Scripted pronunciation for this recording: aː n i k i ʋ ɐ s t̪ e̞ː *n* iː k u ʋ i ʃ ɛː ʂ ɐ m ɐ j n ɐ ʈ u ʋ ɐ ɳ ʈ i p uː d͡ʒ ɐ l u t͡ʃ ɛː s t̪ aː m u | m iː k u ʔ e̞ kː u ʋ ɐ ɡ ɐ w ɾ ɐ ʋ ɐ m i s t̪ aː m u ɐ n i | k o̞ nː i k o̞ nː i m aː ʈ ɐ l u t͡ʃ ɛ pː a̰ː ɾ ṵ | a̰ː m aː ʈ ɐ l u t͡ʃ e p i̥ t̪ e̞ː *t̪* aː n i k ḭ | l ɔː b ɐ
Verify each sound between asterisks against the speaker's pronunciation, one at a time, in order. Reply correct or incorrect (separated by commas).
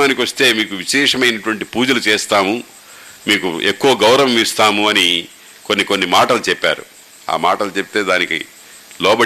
incorrect, incorrect